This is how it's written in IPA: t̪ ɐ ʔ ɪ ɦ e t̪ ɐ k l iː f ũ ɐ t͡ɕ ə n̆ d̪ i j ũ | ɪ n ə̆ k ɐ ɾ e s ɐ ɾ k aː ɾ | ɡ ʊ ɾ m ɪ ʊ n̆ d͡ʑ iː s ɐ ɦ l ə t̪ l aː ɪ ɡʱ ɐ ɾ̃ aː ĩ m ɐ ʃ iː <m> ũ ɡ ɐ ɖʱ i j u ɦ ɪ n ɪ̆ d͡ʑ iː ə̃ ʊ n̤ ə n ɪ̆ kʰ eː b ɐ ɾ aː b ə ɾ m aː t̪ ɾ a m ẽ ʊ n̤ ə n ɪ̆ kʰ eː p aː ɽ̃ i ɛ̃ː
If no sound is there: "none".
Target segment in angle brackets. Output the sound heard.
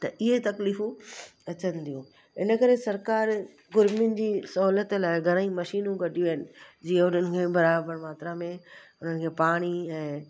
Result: n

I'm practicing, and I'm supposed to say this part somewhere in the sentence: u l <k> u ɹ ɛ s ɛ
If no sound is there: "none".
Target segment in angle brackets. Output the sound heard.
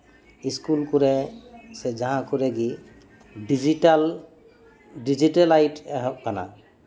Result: k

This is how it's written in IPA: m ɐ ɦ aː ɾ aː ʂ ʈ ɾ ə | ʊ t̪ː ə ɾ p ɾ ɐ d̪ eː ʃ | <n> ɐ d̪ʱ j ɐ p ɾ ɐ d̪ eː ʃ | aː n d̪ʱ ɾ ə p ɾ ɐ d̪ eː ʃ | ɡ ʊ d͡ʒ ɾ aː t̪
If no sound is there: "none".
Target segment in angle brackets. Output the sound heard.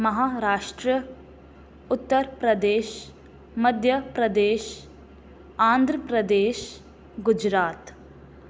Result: m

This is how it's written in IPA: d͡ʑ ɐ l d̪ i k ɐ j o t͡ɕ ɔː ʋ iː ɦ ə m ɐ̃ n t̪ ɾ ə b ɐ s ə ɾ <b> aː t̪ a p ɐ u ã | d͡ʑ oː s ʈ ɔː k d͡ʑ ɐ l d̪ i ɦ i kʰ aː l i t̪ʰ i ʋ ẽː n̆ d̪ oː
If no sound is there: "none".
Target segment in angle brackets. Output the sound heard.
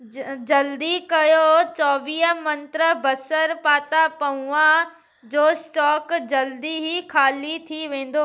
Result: p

